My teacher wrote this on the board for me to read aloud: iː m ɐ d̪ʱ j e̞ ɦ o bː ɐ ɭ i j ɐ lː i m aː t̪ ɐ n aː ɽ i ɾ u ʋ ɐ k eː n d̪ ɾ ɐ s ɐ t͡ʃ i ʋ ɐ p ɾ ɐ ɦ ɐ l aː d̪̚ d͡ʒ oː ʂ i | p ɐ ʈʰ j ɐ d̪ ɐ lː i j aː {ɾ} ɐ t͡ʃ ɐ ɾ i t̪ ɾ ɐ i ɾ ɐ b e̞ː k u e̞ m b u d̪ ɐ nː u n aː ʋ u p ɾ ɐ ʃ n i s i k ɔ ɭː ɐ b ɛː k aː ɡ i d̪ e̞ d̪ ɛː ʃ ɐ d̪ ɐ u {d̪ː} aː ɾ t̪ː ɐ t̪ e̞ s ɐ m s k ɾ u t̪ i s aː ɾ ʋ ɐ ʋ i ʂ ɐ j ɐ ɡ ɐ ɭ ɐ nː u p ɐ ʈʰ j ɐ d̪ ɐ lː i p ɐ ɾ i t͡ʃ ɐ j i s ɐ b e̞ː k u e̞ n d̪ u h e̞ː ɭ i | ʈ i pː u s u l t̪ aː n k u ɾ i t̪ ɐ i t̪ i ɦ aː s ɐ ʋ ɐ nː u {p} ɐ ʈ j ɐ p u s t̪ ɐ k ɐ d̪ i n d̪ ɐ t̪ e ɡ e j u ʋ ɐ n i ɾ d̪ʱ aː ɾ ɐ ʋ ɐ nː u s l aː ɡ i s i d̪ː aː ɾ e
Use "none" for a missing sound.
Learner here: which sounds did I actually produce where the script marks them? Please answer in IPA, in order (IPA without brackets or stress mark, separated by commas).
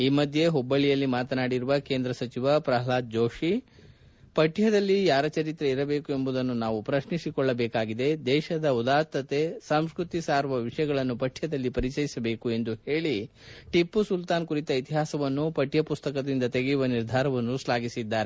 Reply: ɾ, d̪, p